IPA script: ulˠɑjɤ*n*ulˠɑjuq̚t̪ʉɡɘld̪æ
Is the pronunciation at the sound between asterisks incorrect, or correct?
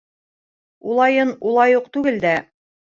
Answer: correct